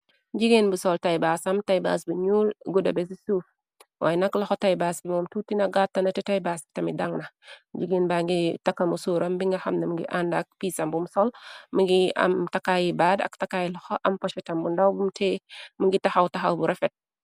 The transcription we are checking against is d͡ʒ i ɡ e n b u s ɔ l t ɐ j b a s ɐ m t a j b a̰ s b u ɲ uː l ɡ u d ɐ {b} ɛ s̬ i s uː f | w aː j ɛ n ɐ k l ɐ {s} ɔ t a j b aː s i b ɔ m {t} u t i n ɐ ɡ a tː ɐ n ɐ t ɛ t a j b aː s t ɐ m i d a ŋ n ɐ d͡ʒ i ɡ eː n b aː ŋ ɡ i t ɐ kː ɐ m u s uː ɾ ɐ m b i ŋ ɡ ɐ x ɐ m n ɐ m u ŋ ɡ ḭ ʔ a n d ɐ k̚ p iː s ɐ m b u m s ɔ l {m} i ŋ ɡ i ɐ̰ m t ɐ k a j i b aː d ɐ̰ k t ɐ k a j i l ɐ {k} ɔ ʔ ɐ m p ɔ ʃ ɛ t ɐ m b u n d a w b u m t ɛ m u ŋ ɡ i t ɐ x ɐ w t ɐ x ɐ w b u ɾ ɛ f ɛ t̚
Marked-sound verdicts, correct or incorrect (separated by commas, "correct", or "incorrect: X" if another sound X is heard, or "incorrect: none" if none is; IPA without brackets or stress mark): correct, incorrect: x, correct, correct, incorrect: x